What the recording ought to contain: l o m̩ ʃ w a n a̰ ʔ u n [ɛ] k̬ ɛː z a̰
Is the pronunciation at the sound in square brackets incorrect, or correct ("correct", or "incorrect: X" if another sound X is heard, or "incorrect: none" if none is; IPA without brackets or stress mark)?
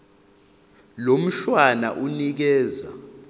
incorrect: i